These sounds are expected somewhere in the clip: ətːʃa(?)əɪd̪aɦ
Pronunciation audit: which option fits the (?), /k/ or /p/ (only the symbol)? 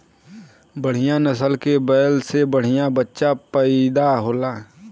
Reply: p